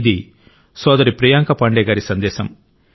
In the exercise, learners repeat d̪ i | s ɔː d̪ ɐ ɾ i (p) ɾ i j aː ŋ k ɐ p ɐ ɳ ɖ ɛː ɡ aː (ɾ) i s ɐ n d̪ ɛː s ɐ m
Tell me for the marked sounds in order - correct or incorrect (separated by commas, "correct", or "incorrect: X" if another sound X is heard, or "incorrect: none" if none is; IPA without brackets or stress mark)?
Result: correct, correct